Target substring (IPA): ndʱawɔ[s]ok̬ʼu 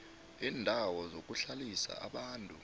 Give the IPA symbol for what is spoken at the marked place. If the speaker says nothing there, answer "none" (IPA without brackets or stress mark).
z